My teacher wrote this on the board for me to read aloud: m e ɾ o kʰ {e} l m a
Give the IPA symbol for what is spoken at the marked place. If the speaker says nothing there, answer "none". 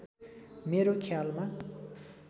a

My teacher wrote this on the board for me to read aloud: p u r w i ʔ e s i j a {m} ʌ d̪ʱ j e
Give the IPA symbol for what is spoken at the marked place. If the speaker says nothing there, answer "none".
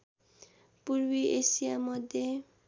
m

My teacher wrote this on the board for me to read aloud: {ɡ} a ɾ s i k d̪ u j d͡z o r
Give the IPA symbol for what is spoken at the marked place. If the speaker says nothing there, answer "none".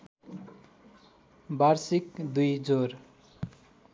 b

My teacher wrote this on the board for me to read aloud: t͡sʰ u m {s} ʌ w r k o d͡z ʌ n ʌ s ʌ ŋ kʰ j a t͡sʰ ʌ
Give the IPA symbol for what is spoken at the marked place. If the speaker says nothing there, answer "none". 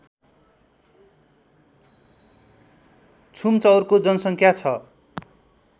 t͡s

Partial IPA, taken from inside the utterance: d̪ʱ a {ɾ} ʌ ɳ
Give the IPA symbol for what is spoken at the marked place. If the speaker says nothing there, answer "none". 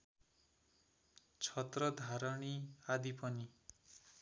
ɾ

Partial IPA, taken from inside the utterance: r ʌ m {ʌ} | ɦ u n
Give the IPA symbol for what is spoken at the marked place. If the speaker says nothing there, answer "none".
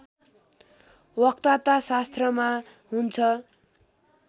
a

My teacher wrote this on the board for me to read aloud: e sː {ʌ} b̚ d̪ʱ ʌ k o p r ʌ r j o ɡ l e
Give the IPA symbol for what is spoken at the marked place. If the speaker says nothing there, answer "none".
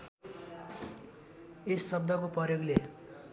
ʌ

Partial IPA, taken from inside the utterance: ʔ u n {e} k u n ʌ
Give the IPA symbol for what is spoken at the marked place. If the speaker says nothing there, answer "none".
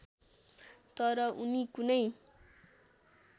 i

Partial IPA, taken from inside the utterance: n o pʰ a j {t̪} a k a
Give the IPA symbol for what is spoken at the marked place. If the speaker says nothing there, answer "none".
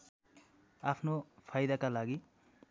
d̪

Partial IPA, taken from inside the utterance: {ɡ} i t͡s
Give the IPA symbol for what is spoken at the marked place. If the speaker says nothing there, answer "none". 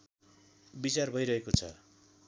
b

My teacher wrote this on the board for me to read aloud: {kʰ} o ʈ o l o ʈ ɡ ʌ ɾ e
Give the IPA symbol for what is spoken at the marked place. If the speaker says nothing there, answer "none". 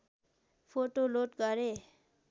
pʰ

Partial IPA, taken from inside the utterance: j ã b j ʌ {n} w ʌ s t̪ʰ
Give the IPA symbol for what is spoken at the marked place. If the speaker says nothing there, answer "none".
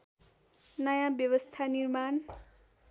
none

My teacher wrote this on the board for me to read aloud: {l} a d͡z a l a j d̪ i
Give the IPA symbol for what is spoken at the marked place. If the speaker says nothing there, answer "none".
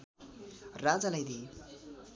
r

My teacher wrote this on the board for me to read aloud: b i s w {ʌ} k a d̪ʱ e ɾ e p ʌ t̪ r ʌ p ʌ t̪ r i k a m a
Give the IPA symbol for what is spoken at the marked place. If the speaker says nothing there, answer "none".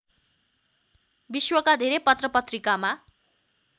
ʌ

